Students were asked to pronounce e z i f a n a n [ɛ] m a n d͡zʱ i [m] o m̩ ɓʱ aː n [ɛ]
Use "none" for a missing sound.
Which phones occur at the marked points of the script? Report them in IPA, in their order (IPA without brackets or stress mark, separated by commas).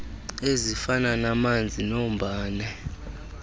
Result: a, n, ɛ